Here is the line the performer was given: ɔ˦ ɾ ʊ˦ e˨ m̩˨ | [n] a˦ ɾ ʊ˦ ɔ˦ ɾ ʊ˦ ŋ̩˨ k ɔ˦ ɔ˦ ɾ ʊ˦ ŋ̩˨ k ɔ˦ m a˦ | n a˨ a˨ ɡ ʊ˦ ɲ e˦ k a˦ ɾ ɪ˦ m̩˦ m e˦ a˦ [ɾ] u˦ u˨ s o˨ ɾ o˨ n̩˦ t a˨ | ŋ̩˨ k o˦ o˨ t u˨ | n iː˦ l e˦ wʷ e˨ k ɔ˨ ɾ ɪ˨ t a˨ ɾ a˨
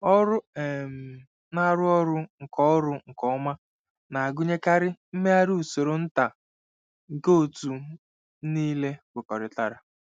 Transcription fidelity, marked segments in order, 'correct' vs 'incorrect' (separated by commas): correct, correct